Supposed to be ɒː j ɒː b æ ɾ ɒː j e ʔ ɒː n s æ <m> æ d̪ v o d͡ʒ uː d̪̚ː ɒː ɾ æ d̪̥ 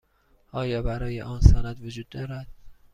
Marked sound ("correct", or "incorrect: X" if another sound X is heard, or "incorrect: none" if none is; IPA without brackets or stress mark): incorrect: n